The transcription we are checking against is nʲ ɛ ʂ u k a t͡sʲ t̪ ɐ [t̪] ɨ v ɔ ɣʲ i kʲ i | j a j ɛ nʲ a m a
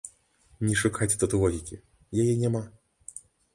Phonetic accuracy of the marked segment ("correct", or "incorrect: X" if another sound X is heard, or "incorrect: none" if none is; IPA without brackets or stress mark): correct